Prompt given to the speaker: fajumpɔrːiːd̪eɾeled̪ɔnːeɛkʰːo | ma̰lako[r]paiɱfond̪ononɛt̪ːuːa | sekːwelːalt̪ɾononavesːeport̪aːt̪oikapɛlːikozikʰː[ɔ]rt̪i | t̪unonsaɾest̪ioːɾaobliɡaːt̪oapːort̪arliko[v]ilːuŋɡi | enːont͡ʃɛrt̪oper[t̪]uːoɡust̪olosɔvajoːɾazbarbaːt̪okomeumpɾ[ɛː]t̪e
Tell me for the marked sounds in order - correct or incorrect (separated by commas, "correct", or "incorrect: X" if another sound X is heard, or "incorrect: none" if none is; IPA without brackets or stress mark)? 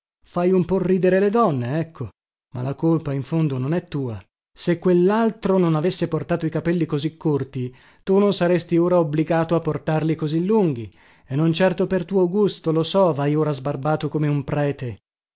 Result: incorrect: l, incorrect: o, incorrect: z, correct, correct